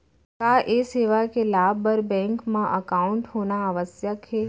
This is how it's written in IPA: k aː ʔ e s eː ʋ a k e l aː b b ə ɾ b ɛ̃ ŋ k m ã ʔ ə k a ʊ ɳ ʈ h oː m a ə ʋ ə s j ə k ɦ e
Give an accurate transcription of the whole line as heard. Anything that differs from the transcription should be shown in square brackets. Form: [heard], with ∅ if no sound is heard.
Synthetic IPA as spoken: k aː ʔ e s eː ʋ a k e l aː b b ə ɾ b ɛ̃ ŋ k m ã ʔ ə k a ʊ ɳ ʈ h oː [n] a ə ʋ ə s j ə k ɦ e